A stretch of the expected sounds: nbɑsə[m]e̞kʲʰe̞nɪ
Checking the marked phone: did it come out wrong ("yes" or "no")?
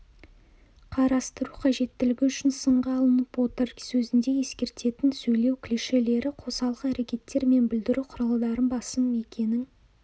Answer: no